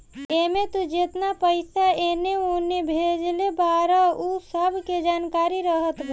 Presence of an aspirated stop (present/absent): absent